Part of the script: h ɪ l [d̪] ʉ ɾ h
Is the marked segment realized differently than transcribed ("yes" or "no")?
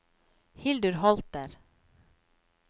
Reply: no